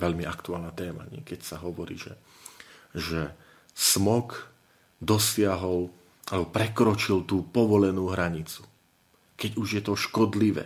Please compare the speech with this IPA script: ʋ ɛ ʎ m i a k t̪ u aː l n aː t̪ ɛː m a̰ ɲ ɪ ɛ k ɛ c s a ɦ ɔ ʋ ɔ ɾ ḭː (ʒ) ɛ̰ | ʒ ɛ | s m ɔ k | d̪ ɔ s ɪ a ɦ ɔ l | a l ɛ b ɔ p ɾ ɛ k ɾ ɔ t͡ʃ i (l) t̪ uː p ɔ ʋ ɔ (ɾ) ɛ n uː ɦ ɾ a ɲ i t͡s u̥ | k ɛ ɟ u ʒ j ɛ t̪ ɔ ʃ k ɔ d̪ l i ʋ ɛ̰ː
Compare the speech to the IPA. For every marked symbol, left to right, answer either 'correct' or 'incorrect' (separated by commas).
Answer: correct, correct, incorrect